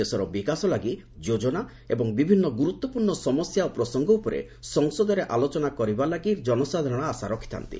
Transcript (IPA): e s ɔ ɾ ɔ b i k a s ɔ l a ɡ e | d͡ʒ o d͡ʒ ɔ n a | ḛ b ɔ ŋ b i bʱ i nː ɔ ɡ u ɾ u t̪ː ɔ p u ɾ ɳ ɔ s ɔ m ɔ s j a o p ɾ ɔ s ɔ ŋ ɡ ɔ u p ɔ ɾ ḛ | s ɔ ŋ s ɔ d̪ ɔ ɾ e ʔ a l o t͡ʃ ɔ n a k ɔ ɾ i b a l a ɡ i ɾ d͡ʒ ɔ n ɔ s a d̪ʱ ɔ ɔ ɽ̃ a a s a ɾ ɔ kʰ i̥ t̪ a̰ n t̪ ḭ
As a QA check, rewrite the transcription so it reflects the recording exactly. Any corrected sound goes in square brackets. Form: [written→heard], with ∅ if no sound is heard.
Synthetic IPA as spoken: e s ɔ ɾ ɔ b i k a s ɔ l a ɡ [e→i] | d͡ʒ o d͡ʒ ɔ n a | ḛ b ɔ ŋ b i bʱ i nː ɔ ɡ u ɾ u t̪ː ɔ p u ɾ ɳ ɔ s ɔ m ɔ s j a o p ɾ ɔ s ɔ ŋ ɡ ɔ u p ɔ ɾ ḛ | s ɔ ŋ s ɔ d̪ ɔ ɾ e ʔ a l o t͡ʃ ɔ n a k ɔ ɾ i b a l a ɡ i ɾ d͡ʒ ɔ n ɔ s a d̪ʱ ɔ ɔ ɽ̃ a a s a ɾ ɔ kʰ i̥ t̪ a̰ n t̪ ḭ